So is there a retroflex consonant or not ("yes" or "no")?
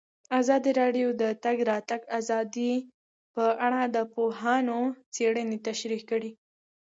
yes